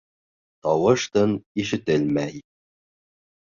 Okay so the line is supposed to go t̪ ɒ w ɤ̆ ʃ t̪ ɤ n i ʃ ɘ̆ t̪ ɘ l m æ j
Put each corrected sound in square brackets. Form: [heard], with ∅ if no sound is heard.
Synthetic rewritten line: t̪ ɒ w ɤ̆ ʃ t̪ ɤ n i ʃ ɘ̆ t̪ ɘ l m æ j